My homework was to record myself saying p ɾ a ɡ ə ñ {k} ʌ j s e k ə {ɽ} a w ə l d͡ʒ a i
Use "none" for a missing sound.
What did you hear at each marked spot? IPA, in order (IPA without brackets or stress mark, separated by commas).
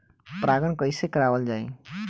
k, ɾ